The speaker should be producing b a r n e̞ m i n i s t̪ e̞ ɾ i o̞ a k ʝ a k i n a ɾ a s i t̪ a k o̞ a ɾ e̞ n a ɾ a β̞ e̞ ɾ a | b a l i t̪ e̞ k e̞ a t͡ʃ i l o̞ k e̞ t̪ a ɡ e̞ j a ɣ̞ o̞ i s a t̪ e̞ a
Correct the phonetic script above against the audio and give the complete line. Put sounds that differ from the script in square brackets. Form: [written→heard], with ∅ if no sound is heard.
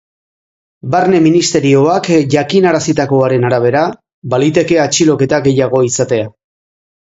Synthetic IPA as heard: b a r n e̞ m i n i s t̪ e̞ ɾ i o̞ a k ʝ a k i n a ɾ a s i t̪ a k o̞ a ɾ e̞ n a ɾ a β̞ e̞ ɾ a | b a l i t̪ e̞ k e̞ a t͡ʃ i l o̞ k e̞ t̪ a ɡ e̞ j a ɣ̞ o̞ i s a t̪ e̞ a